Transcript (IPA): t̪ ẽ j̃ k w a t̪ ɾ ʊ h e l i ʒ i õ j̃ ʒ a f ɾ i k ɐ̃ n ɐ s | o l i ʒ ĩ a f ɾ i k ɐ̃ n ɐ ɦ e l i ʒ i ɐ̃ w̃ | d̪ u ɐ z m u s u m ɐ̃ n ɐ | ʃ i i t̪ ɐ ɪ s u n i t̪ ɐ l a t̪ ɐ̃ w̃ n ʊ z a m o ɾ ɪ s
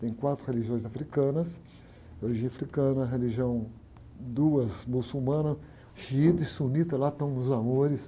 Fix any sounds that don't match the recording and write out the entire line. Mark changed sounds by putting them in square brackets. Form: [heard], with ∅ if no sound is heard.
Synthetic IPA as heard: t̪ ẽ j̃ k w a t̪ ɾ ʊ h e l i ʒ i õ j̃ [z] a f ɾ i k ɐ̃ n ɐ s | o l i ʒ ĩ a f ɾ i k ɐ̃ n ɐ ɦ e l i ʒ i ɐ̃ w̃ | d̪ u ɐ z m u s u m ɐ̃ n ɐ | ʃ i i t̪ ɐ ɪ s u n i t̪ ɐ l a t̪ ɐ̃ w̃ n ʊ z a m o ɾ ɪ s